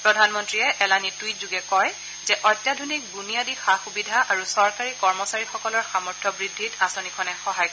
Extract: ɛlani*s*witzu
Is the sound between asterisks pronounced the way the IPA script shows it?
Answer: no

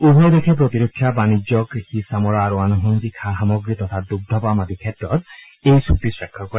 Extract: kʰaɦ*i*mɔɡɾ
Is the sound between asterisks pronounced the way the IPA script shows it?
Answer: no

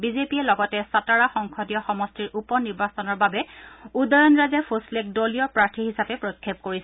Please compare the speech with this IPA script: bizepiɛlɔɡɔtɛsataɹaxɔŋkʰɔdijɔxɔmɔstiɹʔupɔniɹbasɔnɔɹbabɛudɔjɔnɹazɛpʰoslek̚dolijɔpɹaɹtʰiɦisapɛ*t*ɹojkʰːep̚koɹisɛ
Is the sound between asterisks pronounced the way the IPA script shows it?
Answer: no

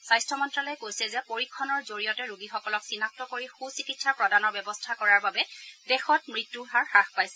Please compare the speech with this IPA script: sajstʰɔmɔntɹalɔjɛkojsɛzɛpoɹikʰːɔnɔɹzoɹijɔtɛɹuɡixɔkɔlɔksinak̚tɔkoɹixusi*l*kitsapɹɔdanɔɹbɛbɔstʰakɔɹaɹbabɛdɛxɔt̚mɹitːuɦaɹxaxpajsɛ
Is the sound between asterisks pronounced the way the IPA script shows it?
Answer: no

